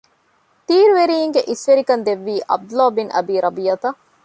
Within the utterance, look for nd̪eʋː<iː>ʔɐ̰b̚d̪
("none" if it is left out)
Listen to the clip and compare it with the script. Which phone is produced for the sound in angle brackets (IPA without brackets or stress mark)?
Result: iː